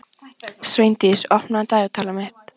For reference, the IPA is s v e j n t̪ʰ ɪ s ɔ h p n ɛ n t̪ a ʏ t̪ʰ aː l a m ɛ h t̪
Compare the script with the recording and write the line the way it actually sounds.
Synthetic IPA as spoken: s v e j n t̪ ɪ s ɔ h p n a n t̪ a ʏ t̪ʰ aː l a m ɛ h t̪